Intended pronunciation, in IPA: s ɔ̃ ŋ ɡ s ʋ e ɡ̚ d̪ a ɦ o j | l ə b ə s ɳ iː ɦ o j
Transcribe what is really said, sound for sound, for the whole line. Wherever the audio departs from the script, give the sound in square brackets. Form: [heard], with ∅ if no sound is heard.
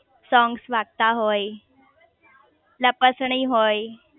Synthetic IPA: s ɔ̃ ŋ ɡ s ʋ [a] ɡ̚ [t̪] a ɦ o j | l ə [p] ə s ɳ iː ɦ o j